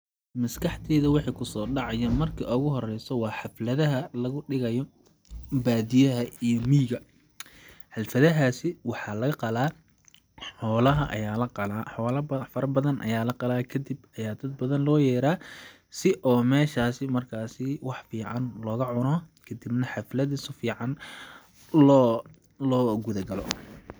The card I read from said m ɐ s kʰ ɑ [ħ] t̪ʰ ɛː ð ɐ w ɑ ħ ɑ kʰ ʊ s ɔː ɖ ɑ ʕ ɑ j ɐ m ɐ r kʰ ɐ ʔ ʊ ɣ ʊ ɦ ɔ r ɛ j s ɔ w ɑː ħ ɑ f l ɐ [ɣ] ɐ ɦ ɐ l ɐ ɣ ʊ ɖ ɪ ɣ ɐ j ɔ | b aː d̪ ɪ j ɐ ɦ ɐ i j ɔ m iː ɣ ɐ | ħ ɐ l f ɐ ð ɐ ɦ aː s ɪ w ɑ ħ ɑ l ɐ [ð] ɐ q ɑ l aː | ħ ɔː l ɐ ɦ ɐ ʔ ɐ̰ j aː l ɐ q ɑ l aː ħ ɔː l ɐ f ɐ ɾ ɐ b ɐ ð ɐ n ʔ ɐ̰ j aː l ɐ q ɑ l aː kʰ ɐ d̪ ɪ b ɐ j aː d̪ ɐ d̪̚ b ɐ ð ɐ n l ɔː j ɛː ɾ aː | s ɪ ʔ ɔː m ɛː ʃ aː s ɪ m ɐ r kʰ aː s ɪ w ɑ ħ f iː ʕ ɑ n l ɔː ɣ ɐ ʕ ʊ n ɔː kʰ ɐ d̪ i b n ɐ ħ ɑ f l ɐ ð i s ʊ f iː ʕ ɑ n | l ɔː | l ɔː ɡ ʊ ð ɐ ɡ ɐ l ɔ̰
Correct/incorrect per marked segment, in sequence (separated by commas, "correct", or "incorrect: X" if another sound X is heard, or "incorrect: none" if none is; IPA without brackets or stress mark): correct, incorrect: ð, incorrect: ɣ